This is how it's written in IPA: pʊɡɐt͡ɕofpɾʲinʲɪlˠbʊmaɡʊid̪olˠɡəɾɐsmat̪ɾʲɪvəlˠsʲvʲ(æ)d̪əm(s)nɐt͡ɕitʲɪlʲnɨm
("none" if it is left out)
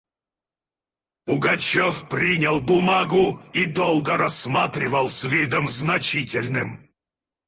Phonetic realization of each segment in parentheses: i, z

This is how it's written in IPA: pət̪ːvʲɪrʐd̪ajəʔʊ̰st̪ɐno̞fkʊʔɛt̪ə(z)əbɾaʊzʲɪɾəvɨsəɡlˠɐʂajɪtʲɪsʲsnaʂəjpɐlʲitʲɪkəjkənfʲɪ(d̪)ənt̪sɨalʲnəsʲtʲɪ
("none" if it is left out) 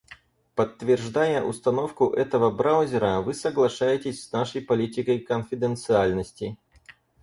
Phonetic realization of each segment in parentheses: v, d̪

